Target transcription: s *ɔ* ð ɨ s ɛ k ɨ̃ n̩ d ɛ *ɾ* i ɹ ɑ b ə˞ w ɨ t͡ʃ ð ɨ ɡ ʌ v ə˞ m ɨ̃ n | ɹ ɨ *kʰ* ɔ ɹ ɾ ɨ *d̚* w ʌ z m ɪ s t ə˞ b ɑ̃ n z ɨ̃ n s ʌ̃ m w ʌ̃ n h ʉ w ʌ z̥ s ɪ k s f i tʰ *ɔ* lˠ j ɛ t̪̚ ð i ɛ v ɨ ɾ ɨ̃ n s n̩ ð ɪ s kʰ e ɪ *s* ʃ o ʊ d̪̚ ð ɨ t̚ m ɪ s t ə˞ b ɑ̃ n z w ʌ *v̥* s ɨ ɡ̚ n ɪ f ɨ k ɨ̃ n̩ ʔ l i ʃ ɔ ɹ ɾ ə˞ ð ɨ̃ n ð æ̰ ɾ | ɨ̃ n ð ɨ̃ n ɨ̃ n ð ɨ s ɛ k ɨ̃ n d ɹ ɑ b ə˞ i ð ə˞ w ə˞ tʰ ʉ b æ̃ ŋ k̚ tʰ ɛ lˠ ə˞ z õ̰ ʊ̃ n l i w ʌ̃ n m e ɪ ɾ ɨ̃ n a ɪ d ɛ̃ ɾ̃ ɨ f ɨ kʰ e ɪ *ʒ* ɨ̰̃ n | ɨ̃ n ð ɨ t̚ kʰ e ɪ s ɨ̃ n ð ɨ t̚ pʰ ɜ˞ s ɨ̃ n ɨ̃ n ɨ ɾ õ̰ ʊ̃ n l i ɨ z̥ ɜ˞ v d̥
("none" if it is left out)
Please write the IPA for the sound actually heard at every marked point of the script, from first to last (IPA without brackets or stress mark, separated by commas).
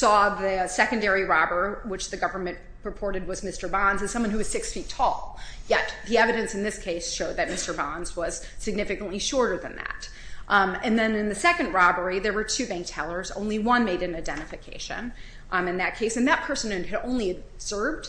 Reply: ɔ, ɹ, pʰ, d̚, ɔ, s, z̥, ʃ